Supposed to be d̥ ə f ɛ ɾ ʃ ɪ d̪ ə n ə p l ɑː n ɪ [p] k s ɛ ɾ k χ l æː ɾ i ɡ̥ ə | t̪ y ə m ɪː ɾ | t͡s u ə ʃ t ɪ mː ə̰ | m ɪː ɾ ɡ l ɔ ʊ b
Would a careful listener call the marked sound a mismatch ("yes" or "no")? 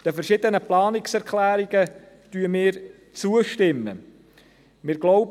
yes